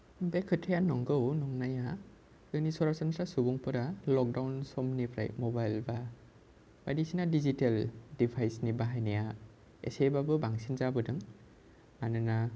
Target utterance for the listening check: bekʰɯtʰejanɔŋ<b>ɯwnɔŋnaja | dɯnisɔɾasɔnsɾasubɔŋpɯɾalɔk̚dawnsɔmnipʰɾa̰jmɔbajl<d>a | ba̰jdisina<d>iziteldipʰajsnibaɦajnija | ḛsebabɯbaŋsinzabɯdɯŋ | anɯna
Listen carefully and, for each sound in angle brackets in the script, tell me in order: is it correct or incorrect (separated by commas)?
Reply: incorrect, incorrect, correct